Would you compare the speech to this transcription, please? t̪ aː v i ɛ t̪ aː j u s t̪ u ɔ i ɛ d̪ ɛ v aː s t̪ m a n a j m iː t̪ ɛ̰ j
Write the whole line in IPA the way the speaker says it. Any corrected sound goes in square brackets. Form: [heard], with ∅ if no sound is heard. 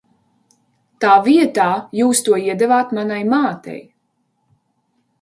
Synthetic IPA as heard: t̪ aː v i ɛ t̪ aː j [uː] s t̪ u ɔ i ɛ d̪ ɛ v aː [∅] t̪ m a n a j m [aː] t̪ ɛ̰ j